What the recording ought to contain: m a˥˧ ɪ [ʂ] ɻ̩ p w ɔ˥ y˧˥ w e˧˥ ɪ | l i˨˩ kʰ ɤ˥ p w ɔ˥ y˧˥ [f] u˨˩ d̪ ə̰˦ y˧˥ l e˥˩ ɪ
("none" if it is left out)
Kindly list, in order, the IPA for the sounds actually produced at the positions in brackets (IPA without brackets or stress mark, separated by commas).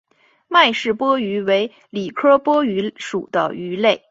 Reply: ʂ, ʂ